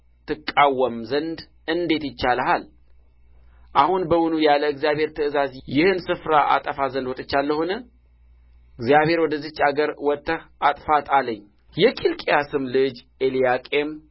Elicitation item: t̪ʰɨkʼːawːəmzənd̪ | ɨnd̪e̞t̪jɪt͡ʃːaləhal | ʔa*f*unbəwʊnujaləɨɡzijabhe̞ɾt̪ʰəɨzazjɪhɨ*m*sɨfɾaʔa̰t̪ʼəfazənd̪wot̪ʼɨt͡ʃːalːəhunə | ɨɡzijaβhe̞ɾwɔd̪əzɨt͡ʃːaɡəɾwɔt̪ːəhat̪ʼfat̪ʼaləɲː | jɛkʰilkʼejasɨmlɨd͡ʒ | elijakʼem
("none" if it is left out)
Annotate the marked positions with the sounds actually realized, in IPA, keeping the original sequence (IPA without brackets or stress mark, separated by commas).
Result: h, n